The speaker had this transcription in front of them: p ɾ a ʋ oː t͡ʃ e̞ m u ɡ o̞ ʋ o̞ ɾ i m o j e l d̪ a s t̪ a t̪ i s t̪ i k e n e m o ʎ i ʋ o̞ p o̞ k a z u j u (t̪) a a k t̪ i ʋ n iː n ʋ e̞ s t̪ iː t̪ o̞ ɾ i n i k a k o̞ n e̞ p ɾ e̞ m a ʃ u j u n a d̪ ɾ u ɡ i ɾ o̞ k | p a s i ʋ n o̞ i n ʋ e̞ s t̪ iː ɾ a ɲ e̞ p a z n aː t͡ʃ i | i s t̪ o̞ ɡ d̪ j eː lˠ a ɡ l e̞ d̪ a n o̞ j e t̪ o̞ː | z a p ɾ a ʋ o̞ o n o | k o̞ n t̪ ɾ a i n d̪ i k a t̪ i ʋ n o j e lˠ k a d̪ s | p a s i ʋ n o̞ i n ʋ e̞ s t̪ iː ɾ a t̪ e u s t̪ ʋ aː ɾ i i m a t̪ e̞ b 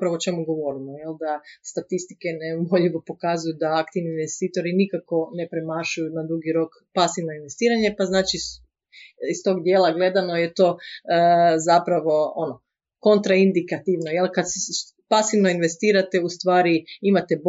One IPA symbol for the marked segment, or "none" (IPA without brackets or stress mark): d̪